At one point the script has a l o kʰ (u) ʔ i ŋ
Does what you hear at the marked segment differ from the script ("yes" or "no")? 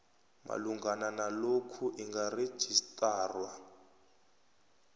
no